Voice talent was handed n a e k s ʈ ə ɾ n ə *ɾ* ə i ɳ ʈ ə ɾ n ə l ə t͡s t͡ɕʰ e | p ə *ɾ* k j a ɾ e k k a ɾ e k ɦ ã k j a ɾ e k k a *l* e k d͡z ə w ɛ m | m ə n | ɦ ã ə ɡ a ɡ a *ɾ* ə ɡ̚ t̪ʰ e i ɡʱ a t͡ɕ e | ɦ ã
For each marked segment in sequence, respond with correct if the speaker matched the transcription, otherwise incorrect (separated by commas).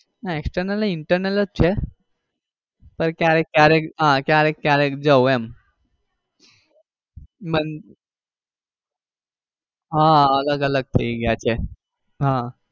incorrect, correct, incorrect, incorrect